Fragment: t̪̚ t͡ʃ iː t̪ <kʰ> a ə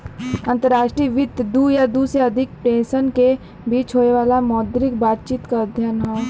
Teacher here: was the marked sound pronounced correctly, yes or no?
no